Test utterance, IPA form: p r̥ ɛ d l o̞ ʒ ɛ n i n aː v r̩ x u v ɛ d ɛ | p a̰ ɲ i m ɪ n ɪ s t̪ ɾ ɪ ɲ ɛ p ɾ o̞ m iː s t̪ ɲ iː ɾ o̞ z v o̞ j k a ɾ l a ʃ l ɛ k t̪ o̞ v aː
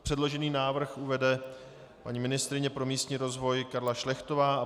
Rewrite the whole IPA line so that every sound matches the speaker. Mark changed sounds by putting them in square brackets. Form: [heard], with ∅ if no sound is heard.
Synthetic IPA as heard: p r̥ ɛ d l o̞ ʒ ɛ n [iː] n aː v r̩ x u v ɛ d ɛ | p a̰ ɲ i m ɪ n ɪ s t̪ ɾ ɪ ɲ ɛ p ɾ o̞ m iː s t̪ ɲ iː ɾ o̞ z v o̞ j k a ɾ l a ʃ l ɛ [x] t̪ o̞ v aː

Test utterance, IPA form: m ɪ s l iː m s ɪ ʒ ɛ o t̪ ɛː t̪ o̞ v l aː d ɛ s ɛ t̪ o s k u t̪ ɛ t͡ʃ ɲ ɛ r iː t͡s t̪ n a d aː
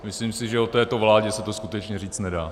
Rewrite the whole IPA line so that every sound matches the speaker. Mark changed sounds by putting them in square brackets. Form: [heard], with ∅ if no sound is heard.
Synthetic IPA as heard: m ɪ s l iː m s ɪ ʒ ɛ o t̪ ɛː t̪ o̞ v l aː [ɟ] ɛ s ɛ t̪ o s k u t̪ ɛ t͡ʃ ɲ ɛ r iː t͡s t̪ n [ɛ] d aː

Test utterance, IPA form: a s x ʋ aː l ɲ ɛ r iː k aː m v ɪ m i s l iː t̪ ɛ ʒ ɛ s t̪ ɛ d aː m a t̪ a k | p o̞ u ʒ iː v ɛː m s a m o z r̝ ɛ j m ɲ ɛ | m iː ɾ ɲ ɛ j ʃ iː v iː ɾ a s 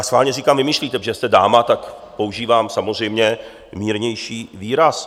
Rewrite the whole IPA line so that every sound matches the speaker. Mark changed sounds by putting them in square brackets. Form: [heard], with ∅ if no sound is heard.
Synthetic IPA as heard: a s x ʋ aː l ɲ ɛ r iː k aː m v ɪ m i [ʃ] l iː t̪ ɛ ʒ ɛ s t̪ ɛ d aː m a t̪ a k | p o̞ u ʒ iː v [aː] m s a m o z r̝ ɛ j m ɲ ɛ | m iː ɾ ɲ ɛ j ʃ iː v iː ɾ a s

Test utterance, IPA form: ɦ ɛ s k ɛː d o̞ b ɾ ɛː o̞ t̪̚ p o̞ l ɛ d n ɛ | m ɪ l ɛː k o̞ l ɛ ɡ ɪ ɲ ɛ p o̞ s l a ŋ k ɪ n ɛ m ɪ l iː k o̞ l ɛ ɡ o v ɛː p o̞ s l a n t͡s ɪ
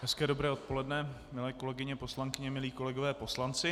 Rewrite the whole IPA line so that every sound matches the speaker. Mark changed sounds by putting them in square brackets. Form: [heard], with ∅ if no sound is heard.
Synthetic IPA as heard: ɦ ɛ s k ɛː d o̞ b ɾ ɛː o̞ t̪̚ p o̞ l ɛ d n ɛ | m ɪ l ɛː k o̞ l ɛ ɡ ɪ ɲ ɛ p o̞ s l a ŋ k ɪ [ɲ] ɛ m ɪ l iː k o̞ l ɛ ɡ o v ɛː p o̞ s l a n t͡s ɪ

